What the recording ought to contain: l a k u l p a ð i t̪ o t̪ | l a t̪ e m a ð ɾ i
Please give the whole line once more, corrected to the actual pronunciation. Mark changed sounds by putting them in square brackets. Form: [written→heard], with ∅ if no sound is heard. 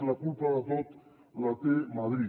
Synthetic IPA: l a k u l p a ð [i→a] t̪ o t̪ | l a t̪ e m a ð ɾ i